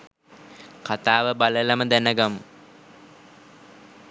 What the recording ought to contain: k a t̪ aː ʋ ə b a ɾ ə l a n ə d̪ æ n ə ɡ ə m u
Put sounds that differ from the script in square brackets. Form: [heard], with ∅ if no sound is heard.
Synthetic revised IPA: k a t̪ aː ʋ ə b a [l] ə l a [m] ə d̪ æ n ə ɡ [a] m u